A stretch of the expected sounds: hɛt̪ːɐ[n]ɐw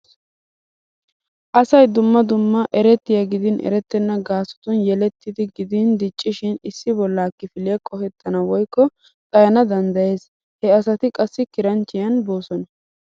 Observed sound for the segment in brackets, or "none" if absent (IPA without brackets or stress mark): n